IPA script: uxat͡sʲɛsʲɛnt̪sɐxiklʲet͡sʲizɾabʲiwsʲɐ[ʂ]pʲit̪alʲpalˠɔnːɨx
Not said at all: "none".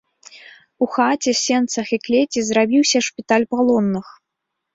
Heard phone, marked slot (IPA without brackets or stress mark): ʂ